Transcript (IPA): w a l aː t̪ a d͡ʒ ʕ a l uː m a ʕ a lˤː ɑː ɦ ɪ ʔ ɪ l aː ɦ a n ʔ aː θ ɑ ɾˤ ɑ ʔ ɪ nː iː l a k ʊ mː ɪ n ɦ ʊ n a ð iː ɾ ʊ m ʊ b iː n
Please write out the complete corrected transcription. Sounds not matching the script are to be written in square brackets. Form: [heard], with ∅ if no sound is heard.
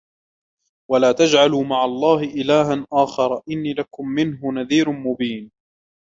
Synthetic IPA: w a l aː t̪ a d͡ʒ ʕ a l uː m a ʕ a lˤː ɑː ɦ ɪ ʔ ɪ l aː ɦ a n ʔ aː [x] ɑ ɾˤ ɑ ʔ ɪ nː iː l a k ʊ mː ɪ n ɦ ʊ n a ð iː ɾ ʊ m ʊ b iː n